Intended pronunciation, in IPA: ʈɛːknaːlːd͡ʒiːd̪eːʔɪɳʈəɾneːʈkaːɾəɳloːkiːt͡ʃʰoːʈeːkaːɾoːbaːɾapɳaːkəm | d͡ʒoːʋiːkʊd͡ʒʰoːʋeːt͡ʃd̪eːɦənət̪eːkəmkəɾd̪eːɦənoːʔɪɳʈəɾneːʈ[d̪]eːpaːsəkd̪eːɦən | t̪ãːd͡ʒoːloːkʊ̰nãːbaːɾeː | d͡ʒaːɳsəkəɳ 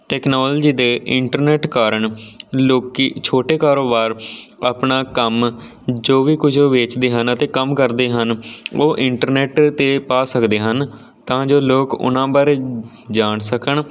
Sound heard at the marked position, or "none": t̪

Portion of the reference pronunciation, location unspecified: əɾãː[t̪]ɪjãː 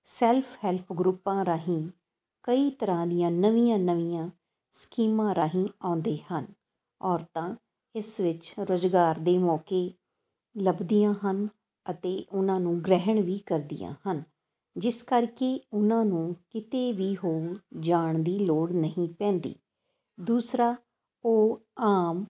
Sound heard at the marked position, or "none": d̪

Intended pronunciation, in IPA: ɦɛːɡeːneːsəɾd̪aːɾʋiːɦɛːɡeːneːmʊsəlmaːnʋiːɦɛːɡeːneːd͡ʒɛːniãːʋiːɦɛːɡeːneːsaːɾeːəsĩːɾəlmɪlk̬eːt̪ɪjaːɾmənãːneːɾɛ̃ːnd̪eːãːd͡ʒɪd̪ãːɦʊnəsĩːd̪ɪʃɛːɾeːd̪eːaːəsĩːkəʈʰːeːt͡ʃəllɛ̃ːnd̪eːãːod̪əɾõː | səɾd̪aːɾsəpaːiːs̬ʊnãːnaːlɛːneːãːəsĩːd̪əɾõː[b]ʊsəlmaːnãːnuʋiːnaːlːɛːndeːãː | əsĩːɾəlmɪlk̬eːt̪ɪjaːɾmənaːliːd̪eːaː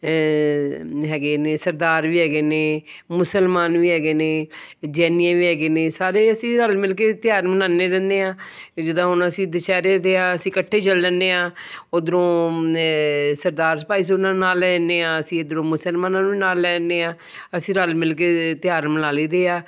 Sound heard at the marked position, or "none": m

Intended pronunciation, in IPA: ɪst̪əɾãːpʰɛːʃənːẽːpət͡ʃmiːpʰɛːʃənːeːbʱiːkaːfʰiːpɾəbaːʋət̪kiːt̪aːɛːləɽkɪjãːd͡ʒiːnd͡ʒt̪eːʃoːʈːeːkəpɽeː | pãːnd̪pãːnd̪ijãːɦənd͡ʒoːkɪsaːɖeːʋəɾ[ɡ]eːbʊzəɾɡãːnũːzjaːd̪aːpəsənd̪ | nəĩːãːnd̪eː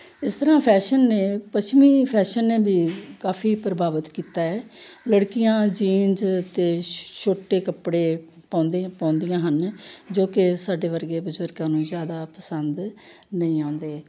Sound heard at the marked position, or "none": ɡ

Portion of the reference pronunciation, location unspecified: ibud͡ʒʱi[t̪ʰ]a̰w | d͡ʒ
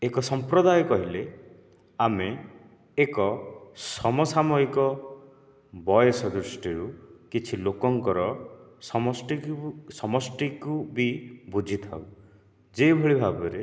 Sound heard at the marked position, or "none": t̪ʰ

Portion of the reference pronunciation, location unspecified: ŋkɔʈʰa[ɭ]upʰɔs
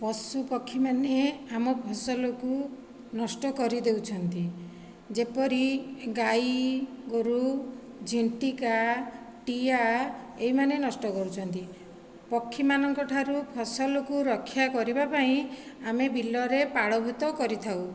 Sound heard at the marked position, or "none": ɾ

